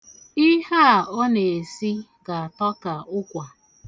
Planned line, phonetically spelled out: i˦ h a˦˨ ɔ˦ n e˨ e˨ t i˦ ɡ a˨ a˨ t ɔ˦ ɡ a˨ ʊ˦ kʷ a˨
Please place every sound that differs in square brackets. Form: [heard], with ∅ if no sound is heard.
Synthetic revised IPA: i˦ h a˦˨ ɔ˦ n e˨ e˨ [s] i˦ ɡ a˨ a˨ t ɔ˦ [k] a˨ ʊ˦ kʷ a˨